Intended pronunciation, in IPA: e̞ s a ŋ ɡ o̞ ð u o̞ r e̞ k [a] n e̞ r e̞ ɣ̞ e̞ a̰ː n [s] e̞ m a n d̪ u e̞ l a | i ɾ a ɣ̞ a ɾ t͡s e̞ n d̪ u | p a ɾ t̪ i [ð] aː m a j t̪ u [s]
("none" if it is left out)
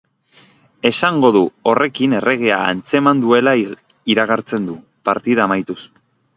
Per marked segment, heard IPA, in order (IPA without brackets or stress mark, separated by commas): i, t͡s, ð, s